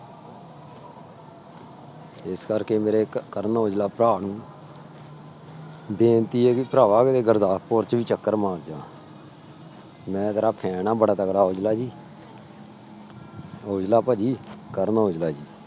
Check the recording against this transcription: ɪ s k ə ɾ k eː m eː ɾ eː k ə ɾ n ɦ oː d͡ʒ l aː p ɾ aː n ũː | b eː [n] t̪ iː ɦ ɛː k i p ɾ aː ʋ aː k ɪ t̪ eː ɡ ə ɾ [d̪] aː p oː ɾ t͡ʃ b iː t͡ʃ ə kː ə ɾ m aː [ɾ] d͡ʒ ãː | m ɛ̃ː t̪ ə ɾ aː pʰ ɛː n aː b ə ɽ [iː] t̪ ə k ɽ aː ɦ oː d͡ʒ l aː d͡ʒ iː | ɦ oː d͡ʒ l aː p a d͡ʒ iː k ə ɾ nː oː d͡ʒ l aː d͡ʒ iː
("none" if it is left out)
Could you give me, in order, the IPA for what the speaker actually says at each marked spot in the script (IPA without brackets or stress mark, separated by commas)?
n, d̪, ɾ, aː